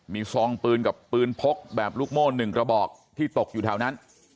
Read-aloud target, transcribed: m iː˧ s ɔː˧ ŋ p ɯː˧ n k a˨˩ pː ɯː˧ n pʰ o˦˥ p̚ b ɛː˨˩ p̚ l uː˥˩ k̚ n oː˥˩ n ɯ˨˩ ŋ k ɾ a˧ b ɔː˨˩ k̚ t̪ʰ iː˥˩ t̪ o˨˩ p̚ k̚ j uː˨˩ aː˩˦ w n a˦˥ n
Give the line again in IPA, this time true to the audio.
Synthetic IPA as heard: m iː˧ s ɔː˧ ŋ p ɯː˧ n k a˨˩ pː ɯː˧ n pʰ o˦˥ k̚ b ɛː˨˩ p̚ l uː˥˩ k̚ m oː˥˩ n ɯ˨˩ ŋ k ɾ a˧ b ɔː˨˩ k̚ t̪ʰ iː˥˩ t̪ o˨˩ k̚ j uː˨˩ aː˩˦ w n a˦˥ n

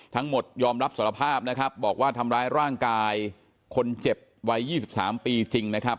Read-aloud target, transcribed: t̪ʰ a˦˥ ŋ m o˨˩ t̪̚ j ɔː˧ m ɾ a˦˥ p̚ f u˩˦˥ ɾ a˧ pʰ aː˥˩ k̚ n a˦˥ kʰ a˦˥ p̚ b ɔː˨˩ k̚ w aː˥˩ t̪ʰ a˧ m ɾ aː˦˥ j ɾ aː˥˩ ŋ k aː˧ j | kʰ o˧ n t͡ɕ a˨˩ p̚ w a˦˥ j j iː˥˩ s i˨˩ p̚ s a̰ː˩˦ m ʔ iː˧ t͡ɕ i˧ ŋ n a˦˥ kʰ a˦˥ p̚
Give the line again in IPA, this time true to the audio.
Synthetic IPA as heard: t̪ʰ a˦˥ ŋ m o˨˩ t̪̚ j ɔː˧ m ɾ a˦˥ p̚ s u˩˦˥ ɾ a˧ pʰ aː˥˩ p̚ n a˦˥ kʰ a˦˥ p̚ b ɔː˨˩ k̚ w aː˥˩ t̪ʰ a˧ m ɾ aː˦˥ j ɾ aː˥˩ ŋ k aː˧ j | kʰ o˧ n t͡ɕ e˨˩ p̚ w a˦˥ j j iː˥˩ s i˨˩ p̚ s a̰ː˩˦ m p iː˧ t͡ɕ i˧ ŋ n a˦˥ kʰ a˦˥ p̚

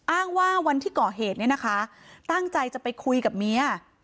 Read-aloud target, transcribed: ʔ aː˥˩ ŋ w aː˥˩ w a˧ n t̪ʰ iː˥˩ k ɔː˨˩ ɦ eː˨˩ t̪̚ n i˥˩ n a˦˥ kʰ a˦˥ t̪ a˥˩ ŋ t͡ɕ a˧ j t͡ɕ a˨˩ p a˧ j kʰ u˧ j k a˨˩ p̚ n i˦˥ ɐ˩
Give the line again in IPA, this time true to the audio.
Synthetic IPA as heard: ʔ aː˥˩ ŋ w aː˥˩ w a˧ n t̪ʰ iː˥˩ k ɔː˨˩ ɦ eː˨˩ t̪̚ n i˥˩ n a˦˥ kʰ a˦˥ t̪ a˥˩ ŋ t͡ɕ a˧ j t͡ɕ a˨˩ p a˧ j kʰ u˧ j k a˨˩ p̚ m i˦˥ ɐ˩

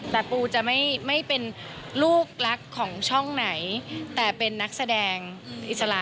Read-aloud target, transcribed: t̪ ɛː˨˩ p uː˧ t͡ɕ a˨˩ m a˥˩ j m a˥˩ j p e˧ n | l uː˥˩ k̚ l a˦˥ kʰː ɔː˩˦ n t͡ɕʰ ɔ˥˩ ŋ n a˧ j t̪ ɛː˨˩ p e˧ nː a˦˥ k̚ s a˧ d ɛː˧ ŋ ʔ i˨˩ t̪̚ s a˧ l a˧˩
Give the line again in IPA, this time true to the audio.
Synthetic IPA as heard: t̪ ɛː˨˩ p uː˧ t͡ɕ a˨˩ m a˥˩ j m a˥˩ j p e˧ n | l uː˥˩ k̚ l a˦˥ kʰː ɔː˩˦ ŋ t͡ɕʰ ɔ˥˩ ŋ n a˩˦ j t̪ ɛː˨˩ p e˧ nː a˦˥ k̚ s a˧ d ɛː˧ ŋ ʔ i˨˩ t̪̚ s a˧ l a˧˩

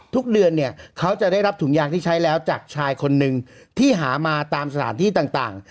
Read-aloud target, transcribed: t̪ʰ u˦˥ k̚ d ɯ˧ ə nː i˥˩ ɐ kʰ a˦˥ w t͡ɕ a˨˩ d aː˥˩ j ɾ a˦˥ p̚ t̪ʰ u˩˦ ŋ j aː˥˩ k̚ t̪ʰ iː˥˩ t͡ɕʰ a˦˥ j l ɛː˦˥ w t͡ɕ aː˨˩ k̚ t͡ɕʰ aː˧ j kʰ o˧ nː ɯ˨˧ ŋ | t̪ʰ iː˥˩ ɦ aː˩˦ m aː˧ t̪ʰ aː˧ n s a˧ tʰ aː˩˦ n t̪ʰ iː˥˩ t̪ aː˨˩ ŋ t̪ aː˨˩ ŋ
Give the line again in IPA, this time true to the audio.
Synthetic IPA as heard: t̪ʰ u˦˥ k̚ d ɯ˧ ə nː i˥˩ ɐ kʰ a˦˥ w t͡ɕ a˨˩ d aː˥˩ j ɾ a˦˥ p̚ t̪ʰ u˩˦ ŋ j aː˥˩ k̚ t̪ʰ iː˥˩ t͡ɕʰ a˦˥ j l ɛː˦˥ w t͡ɕ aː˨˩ k̚ t͡ɕʰ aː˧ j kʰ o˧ nː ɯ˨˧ ŋ | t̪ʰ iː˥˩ ɦ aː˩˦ m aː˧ t̪ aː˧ m s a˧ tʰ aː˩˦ n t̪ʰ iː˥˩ t̪ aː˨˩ ŋ t̪ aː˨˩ ŋ

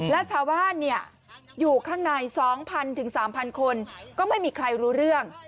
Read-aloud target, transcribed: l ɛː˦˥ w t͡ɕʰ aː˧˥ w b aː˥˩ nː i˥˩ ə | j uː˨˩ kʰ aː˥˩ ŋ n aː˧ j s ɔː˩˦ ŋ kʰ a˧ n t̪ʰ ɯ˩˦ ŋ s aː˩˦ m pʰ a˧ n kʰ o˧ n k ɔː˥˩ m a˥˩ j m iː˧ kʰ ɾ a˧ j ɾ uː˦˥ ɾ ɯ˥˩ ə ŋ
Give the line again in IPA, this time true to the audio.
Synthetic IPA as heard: l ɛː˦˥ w t͡ɕʰ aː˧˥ w b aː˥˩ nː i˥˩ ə | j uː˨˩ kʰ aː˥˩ ŋ n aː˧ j s ɔː˩˦ ŋ pʰ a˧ n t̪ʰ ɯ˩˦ ŋ s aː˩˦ m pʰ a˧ n kʰ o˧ n k ɔː˥˩ m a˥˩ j m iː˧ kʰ ɾ a˧ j ɾ uː˦˥ ɾ ɯ˥˩ ə ŋ

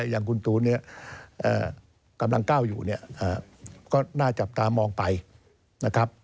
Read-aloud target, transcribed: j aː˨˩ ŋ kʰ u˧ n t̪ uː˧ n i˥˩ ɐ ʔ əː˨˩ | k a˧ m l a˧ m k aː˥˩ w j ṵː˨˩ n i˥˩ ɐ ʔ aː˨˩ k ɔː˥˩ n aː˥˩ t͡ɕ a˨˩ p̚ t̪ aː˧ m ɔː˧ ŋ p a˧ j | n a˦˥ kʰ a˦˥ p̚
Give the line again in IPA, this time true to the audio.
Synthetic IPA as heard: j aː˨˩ ŋ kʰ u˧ n t̪ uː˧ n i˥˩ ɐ ʔ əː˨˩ | k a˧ m l a˧ ŋ k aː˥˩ w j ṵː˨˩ n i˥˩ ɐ ʔ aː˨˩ k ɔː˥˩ n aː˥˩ t͡ɕ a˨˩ p̚ t̪ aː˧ m ɔː˧ ŋ p a˧ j | n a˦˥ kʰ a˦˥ p̚

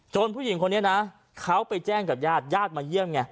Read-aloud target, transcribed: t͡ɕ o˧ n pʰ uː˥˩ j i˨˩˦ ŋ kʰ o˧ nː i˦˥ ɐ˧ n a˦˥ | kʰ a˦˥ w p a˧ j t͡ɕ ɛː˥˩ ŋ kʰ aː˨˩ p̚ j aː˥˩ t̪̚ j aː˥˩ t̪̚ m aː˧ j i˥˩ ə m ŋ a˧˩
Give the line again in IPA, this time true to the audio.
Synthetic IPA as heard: t͡ɕ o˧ n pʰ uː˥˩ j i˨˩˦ ŋ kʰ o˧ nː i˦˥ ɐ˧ n a˦˥ | kʰ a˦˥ w p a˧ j t͡ɕ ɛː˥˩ ŋ k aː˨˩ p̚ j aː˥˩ t̪̚ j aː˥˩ t̪̚ m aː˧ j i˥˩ ə m ŋ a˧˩

